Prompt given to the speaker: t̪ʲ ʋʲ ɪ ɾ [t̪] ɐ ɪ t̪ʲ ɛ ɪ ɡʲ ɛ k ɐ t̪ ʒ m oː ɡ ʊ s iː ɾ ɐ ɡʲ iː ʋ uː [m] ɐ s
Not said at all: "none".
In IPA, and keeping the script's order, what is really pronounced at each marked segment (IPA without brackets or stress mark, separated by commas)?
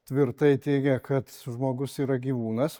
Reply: t̪, n